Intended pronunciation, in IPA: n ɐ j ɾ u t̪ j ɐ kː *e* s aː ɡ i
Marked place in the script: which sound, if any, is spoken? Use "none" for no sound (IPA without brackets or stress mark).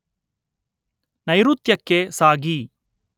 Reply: e